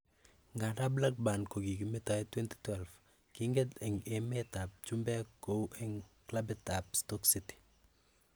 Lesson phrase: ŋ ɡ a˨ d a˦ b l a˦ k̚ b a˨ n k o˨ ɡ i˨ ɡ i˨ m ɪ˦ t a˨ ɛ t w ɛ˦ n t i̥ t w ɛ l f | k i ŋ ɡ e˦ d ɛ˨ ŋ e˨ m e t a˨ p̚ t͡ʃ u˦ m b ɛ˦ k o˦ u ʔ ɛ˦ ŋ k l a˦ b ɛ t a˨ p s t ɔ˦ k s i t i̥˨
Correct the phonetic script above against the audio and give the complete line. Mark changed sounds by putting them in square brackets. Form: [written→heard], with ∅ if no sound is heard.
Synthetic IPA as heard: ŋ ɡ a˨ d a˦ b l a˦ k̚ b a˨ n k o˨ ɡ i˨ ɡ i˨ m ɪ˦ t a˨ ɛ t w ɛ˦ n t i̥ t w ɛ l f | k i ŋ ɡ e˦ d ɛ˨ ŋ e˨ m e t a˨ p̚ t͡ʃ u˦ m b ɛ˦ k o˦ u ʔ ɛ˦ ŋ k l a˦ b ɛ t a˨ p s t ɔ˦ k s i t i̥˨